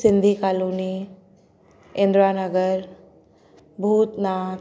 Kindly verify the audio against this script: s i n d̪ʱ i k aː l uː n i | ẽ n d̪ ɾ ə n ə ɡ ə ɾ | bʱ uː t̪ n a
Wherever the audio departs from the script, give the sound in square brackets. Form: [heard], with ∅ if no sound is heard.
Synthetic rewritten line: s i n d̪ʱ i k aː l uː n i | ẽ n d̪ ɾ [a] n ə ɡ ə ɾ | bʱ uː t̪ n a